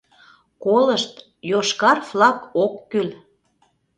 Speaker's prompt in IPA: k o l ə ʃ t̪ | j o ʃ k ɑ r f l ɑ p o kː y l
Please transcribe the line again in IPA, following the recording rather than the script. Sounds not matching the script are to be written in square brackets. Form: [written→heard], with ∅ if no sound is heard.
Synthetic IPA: k o l ə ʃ t̪ | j o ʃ k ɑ r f l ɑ [p→k] o kː y l

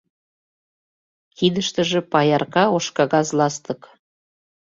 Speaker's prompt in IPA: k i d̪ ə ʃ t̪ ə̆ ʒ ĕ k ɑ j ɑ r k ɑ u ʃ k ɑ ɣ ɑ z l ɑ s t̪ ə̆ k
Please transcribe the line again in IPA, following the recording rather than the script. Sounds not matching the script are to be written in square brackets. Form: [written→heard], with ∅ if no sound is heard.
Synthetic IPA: k i d̪ ə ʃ t̪ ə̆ ʒ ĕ [k→p] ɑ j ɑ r k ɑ [u→o] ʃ k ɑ ɣ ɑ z l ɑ s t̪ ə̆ k

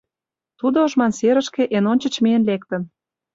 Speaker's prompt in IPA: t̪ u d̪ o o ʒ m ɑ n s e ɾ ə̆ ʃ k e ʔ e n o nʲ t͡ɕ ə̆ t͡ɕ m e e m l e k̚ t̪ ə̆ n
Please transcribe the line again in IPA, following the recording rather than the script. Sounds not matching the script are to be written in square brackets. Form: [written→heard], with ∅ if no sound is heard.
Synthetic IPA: t̪ u d̪ o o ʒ m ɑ n s e ɾ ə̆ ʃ k e ʔ e n o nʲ t͡ɕ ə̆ t͡ɕ m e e [m→n] l e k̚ t̪ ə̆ n

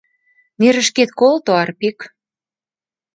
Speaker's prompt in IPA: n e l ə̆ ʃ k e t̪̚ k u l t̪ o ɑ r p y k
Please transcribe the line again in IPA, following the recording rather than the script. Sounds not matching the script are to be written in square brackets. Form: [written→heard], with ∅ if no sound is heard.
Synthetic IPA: n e [l→ɾ] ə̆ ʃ k e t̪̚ k [u→o] l t̪ o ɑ r p [y→i] k

